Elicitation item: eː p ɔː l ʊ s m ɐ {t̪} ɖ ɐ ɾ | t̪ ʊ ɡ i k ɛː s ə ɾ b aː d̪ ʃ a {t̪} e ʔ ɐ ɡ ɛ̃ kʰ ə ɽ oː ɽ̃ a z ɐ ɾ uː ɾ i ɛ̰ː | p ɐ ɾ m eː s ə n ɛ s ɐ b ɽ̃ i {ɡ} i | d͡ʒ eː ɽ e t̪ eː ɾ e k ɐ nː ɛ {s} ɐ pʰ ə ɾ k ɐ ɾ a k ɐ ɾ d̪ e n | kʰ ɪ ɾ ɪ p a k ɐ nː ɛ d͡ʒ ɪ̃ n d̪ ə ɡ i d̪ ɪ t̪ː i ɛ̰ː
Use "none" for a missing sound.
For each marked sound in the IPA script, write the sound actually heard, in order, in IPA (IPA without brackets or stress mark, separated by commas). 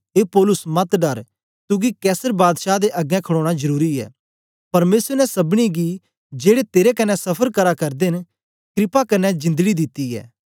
t̪, d̪, ɡ, s